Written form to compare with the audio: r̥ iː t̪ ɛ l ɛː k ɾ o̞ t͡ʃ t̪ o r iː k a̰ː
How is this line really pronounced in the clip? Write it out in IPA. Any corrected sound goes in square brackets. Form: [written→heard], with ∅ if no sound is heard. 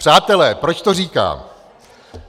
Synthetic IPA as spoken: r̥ [iː→aː] t̪ ɛ l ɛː [k→p] ɾ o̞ t͡ʃ t̪ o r iː k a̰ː